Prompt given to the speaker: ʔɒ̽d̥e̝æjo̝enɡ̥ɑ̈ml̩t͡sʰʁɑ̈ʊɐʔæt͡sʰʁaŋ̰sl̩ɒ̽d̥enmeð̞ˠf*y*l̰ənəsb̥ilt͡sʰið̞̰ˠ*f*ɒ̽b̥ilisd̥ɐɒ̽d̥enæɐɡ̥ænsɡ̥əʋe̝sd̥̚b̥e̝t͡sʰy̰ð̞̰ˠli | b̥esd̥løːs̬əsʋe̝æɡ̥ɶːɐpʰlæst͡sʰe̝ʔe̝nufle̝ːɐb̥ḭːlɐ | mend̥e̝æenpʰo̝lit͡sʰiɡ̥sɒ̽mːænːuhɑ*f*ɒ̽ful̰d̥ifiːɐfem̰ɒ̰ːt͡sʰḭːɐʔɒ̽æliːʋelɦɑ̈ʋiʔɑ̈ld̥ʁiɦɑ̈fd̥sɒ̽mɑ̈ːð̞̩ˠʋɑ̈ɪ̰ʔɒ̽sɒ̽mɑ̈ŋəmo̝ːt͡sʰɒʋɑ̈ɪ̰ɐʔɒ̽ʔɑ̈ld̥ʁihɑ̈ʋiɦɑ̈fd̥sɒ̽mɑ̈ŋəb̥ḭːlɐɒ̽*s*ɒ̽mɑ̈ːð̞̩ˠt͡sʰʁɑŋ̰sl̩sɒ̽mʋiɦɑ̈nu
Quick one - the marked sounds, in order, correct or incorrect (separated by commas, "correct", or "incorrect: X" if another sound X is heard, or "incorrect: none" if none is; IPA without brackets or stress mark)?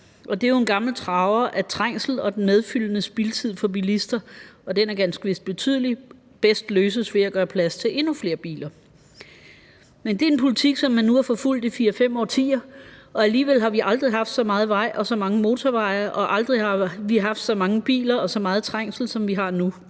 correct, correct, correct, correct